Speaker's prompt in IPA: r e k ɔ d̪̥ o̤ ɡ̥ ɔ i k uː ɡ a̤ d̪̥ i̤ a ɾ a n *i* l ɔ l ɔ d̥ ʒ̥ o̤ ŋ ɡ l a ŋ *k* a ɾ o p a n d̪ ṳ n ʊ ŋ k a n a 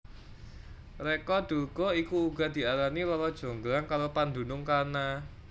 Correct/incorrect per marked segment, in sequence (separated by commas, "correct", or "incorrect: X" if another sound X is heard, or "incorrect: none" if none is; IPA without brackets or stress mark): correct, correct